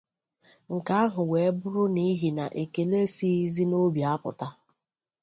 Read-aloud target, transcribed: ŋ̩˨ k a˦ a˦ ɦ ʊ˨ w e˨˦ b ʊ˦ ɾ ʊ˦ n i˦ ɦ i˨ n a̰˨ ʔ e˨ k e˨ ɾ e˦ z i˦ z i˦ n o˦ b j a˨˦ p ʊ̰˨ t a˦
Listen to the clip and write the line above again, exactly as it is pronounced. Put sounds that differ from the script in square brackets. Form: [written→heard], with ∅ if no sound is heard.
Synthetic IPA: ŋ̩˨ k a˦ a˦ ɦ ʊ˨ w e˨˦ b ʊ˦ ɾ ʊ˦ n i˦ ɦ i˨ n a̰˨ ʔ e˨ k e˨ [ɾ→l] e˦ [z→s] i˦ z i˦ n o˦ b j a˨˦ p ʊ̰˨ t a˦